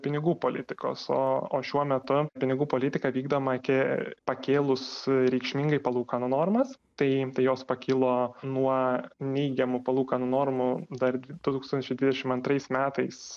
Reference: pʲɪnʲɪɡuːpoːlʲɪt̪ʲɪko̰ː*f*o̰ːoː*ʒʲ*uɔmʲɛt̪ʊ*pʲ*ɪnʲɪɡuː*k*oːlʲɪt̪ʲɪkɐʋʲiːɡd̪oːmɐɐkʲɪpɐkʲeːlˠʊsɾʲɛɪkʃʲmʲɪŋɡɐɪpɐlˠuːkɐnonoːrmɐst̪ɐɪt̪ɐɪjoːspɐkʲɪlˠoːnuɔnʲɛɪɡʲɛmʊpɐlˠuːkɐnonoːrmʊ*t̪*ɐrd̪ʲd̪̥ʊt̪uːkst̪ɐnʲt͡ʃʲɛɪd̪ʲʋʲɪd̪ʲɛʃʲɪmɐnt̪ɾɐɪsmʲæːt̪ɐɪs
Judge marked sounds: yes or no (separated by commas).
no, no, yes, no, no